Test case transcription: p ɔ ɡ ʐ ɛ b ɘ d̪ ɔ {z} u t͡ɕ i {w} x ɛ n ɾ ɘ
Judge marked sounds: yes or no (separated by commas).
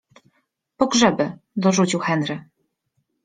no, yes